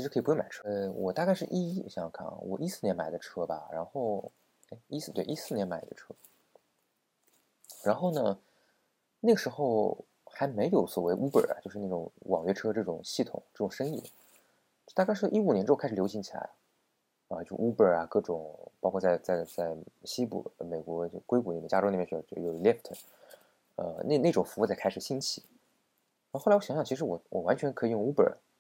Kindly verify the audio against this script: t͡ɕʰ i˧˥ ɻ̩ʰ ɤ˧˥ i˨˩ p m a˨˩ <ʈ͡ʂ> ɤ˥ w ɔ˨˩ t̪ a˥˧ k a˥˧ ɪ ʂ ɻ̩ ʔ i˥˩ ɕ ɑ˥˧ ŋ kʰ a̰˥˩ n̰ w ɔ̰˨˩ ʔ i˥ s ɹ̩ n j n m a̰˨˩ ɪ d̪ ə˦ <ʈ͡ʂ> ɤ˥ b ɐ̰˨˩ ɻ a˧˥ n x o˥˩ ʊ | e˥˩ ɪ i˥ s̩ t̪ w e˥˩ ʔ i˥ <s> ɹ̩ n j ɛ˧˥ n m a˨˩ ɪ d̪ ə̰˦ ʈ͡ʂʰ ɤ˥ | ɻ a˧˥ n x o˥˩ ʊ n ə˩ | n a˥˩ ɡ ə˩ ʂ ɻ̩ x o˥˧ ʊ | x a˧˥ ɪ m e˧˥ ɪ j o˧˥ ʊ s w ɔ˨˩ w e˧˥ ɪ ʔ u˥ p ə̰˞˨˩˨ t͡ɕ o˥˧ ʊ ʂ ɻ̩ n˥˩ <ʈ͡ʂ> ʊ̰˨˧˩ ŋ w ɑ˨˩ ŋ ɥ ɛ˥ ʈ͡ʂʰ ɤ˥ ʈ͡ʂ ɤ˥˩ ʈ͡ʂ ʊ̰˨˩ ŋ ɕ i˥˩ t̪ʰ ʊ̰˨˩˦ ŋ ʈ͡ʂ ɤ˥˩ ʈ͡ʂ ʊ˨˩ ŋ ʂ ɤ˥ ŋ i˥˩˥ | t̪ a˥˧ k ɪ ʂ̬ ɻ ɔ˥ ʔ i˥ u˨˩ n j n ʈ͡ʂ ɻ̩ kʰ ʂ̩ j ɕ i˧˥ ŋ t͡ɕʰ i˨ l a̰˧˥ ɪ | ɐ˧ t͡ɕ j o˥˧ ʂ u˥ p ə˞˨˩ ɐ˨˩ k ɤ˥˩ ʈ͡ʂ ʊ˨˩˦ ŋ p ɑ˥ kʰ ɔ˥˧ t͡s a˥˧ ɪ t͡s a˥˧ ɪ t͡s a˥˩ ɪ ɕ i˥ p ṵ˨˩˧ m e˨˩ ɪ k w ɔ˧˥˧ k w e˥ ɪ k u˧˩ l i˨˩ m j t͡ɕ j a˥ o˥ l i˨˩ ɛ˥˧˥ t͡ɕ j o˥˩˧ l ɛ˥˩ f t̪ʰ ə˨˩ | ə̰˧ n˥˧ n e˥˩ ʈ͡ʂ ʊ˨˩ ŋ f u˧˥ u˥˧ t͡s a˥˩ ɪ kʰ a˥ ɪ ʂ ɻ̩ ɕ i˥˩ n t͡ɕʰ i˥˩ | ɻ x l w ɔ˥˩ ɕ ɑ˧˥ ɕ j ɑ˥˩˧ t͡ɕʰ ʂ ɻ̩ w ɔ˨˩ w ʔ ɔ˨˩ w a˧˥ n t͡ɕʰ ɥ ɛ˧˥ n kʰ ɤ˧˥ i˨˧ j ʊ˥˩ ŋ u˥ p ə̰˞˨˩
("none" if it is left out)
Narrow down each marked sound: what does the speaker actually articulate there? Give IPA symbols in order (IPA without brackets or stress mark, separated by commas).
ʈ͡ʂʰ, ʈ͡ʂʰ, s, ʈ͡ʂ